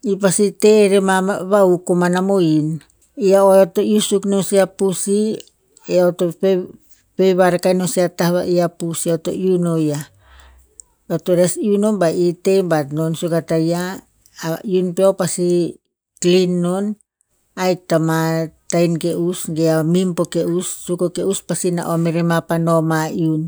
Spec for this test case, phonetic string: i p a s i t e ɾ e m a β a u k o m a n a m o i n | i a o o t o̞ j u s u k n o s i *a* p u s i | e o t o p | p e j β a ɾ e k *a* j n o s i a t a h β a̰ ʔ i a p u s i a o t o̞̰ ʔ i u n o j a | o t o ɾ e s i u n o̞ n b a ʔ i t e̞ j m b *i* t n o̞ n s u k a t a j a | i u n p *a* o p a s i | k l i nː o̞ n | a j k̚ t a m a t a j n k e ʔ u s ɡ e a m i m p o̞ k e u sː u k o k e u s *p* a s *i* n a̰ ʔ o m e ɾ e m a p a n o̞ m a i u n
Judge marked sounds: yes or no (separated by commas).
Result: yes, yes, no, no, yes, yes